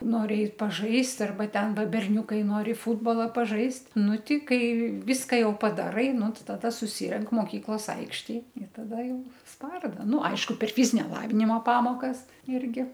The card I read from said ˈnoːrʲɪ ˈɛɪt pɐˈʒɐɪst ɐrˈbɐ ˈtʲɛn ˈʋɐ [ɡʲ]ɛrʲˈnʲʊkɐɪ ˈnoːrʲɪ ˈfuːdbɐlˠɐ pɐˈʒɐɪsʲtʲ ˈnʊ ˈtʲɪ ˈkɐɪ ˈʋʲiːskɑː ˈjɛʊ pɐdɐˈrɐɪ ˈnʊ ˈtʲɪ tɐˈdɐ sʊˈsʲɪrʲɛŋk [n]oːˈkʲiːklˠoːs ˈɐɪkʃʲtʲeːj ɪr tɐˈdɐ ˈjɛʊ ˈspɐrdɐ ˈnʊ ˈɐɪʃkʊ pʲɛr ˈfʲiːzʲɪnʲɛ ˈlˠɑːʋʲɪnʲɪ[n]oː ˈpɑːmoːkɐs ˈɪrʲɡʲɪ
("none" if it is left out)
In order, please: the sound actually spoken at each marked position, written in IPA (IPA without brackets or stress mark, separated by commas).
bʲ, m, m